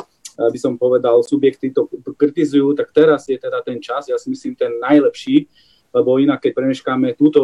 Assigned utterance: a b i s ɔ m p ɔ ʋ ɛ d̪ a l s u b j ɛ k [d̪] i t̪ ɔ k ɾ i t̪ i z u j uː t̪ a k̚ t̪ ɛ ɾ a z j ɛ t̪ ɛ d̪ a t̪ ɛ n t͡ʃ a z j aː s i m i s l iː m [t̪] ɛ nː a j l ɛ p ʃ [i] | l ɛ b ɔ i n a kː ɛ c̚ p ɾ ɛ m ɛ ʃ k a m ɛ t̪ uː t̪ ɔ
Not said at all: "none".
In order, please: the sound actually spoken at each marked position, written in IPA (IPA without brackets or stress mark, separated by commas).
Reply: t̪, t̪, iː